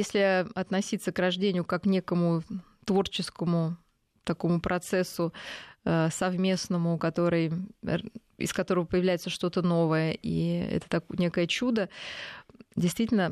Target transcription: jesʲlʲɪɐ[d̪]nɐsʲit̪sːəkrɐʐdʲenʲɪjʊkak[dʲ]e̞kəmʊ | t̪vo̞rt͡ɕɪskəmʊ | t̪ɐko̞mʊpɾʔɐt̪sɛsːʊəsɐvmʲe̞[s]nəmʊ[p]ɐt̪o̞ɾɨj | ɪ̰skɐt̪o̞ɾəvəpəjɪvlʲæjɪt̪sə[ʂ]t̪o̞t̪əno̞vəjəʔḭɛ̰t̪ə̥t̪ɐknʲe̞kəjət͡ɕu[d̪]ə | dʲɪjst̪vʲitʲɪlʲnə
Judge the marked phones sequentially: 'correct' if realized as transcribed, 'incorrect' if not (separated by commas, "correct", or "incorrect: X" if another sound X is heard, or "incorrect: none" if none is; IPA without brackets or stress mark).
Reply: incorrect: t̪, incorrect: nʲ, correct, incorrect: k, correct, correct